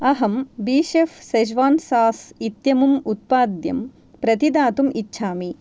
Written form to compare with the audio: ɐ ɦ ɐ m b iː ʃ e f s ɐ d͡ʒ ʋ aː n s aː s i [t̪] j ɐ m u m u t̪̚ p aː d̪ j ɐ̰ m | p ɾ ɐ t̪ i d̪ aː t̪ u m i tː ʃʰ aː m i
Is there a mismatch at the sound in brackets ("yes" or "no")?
no